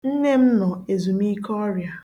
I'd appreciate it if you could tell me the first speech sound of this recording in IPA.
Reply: n̩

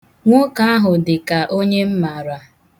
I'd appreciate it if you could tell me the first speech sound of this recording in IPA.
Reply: ŋʷ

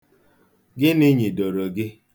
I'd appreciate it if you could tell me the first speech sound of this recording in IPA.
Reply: ɡ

